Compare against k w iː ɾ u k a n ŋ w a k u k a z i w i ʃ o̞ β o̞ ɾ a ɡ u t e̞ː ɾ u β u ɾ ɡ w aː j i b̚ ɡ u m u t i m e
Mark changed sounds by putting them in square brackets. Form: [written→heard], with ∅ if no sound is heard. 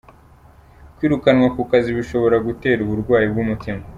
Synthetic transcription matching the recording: k w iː ɾ u k a n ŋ w a k u k a z i [w→β] i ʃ o̞ β o̞ ɾ a ɡ u t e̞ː ɾ u β u ɾ ɡ w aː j i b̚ ɡ u m u t i m [e→a]